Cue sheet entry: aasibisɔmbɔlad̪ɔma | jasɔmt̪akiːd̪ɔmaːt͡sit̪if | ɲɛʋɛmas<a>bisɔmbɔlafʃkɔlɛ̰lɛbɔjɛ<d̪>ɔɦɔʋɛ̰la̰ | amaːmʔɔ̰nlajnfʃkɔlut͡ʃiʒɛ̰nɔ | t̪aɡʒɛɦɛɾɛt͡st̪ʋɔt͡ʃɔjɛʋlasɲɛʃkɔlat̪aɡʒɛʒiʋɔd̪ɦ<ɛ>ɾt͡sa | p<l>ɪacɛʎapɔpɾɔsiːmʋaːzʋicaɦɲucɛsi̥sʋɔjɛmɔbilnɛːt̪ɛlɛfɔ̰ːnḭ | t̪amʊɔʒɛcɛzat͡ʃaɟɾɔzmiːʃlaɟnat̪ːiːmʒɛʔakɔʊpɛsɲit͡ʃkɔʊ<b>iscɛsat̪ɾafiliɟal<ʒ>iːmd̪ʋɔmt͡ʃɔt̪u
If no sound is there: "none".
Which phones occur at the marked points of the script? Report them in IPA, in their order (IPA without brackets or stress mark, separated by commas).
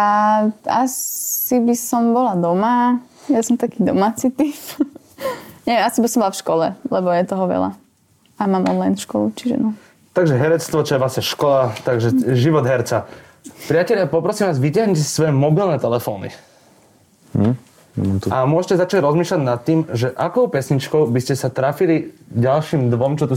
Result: i, t̪, ɛ, ɾ, b, ʃ